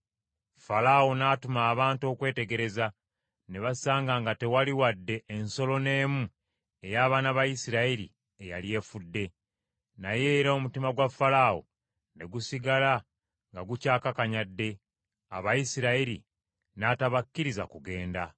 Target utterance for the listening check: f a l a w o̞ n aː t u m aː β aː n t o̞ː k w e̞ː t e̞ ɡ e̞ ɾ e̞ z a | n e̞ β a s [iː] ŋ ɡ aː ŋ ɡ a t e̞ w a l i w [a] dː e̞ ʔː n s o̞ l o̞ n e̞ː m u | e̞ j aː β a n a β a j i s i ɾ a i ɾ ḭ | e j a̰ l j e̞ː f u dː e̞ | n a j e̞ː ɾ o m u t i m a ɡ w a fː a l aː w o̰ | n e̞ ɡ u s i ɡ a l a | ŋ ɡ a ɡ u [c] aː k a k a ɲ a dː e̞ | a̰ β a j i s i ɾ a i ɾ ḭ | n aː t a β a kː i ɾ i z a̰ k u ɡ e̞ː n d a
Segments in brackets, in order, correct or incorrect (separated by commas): incorrect, correct, correct